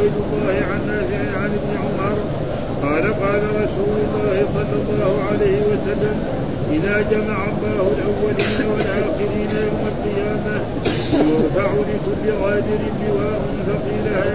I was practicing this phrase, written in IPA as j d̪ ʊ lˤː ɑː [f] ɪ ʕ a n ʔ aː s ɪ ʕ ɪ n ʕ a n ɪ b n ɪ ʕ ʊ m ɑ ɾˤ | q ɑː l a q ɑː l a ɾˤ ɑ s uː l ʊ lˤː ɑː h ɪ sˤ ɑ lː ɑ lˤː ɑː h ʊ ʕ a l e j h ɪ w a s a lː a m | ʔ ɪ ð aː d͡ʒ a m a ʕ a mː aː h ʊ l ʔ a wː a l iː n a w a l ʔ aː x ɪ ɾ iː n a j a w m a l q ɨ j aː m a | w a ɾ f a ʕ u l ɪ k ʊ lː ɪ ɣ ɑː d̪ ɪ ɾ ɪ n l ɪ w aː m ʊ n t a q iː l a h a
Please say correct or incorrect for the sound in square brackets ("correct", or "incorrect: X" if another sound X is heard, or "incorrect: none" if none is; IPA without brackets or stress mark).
incorrect: h